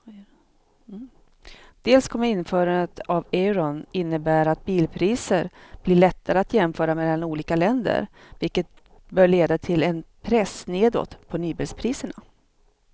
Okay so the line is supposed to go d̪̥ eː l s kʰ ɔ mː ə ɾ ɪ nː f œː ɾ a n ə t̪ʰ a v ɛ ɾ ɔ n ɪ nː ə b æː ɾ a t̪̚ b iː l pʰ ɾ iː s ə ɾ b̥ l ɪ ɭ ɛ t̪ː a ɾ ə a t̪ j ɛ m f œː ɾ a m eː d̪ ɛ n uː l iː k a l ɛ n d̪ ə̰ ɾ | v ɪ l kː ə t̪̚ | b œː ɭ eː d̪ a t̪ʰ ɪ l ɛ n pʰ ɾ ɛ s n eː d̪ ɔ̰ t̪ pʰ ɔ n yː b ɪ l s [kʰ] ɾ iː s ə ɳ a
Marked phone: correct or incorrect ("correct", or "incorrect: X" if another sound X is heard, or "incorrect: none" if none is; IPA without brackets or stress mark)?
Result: incorrect: pʰ